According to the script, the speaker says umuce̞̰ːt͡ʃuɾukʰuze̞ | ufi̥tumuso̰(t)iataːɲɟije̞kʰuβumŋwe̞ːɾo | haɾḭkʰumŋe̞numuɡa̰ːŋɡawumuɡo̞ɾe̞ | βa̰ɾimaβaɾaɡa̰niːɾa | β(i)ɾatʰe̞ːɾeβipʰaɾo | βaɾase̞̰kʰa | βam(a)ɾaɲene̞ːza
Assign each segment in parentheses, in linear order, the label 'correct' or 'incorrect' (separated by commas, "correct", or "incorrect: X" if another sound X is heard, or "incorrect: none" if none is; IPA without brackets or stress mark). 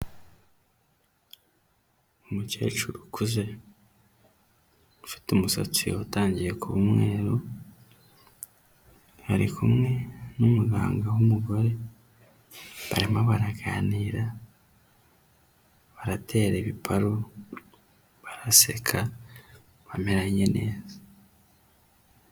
incorrect: t͡s, incorrect: a, incorrect: e